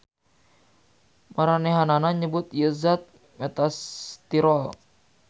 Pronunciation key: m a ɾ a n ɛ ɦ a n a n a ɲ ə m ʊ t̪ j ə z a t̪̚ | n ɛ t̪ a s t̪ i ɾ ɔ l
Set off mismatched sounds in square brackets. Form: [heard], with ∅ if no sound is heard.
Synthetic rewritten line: m a ɾ a n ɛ ɦ a n a n a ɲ ə [b] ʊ t̪ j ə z a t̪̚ | [m] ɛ t̪ a s t̪ i ɾ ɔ l